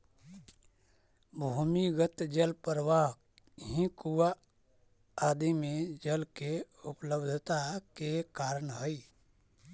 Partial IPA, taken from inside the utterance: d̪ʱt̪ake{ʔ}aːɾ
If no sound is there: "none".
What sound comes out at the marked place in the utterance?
k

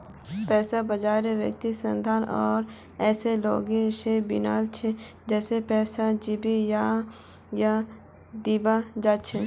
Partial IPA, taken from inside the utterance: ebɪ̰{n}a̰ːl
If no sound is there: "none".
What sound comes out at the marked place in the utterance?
n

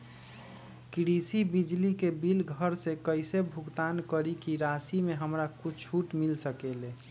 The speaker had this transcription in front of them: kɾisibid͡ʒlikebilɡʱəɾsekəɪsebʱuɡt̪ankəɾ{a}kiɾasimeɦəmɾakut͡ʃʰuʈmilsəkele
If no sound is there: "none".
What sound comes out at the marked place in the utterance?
i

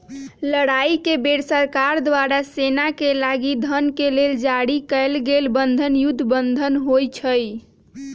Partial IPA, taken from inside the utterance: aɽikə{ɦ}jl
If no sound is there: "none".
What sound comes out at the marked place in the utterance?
none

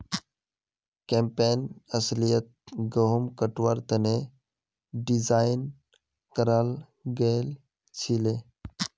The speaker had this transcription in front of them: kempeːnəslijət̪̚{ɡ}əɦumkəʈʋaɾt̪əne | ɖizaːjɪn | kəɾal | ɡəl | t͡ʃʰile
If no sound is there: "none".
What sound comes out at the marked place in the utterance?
ɡ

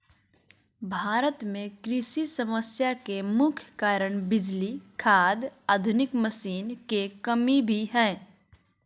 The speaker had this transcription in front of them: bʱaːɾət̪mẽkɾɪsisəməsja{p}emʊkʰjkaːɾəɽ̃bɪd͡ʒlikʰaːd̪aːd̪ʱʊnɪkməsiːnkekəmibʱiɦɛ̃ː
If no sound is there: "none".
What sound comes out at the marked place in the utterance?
k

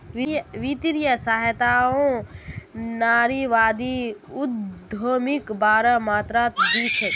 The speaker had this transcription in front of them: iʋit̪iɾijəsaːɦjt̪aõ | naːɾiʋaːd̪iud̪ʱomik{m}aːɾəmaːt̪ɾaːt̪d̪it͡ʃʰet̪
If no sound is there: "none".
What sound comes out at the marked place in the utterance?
b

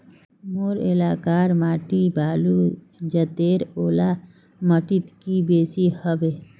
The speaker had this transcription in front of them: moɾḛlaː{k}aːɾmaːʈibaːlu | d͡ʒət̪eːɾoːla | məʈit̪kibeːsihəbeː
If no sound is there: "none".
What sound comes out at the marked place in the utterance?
k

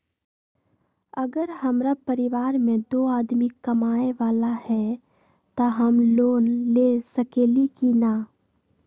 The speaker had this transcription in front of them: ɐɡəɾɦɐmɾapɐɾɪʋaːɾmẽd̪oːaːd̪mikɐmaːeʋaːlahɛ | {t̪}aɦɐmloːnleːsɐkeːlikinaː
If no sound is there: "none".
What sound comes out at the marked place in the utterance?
t̪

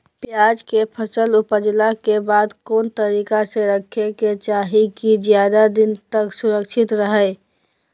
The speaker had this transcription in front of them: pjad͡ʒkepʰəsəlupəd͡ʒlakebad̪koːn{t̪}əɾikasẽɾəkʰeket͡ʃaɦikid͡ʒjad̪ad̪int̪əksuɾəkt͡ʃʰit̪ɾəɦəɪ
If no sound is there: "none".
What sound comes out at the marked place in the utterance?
t̪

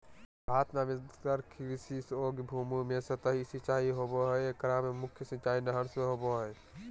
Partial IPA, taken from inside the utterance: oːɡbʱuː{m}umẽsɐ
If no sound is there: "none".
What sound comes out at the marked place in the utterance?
m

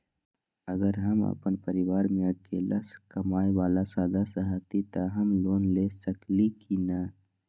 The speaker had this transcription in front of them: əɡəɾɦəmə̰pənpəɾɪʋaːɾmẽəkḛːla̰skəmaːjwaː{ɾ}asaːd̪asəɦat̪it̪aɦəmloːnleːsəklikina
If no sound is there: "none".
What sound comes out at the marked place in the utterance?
l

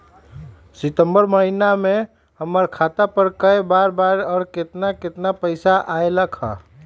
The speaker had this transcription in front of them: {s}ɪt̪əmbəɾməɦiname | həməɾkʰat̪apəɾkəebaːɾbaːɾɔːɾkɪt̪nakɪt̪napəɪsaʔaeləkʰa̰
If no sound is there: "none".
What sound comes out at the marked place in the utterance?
s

